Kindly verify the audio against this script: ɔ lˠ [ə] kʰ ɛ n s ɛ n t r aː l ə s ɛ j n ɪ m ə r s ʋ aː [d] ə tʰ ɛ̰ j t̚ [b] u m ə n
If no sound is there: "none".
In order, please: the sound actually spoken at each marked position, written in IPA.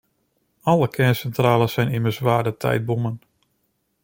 ə, d, b

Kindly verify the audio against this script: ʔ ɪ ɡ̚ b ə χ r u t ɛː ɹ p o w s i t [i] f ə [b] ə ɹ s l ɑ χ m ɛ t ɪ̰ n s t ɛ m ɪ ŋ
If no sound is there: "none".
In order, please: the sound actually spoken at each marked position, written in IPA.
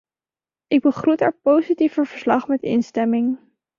i, v

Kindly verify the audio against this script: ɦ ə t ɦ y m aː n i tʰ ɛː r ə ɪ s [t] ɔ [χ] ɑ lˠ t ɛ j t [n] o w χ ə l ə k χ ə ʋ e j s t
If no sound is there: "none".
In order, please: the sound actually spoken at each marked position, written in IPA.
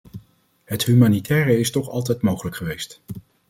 t, χ, m

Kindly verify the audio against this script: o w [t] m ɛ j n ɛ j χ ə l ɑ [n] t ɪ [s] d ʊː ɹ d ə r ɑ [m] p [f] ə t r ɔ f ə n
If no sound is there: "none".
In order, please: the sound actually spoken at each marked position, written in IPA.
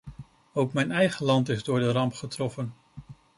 k, n, z, m, χ

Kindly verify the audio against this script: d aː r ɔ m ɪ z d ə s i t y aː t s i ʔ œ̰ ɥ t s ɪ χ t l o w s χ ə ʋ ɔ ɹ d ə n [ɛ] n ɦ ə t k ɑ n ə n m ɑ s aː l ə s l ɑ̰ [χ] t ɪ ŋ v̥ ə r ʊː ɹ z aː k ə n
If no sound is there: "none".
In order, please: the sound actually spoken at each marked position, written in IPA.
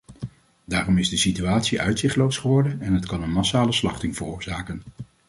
ɛ, χ

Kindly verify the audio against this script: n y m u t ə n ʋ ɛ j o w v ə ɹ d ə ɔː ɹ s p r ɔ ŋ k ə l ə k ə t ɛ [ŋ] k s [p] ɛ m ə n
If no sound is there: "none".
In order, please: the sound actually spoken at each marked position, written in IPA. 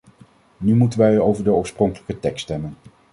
none, t

